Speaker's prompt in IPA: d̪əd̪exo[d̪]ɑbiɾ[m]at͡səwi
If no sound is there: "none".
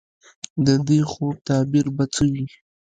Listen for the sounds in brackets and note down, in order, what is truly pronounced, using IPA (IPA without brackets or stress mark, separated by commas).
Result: t̪, b